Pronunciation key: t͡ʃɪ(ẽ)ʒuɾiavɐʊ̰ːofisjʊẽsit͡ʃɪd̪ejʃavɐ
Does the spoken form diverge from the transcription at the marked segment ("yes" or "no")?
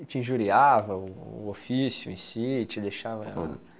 yes